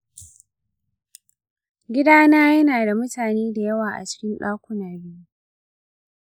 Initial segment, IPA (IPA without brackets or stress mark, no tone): ɡʲ